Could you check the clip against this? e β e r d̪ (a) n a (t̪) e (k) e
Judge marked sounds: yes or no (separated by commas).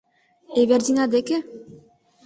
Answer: no, no, yes